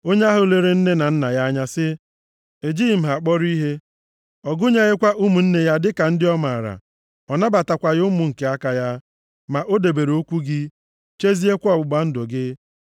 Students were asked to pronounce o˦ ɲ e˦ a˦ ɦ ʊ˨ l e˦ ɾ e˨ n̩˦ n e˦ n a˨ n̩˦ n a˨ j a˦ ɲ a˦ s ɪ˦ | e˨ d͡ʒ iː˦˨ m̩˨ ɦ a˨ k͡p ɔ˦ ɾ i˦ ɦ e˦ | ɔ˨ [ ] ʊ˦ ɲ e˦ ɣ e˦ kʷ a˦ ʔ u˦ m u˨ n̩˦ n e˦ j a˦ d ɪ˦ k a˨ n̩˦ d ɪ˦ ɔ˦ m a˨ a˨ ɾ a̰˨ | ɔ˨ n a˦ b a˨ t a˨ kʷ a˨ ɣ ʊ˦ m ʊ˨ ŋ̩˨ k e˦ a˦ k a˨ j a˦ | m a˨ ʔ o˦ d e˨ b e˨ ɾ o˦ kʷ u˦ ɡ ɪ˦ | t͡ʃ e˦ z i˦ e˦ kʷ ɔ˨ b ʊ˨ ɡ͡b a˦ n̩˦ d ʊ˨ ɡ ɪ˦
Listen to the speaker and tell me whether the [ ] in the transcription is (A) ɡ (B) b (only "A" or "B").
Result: A